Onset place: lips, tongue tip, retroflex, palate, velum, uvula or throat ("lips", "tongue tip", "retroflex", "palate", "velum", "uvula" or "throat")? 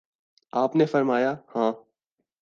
lips